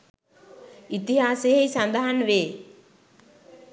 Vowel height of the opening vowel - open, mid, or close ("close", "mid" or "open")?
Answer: close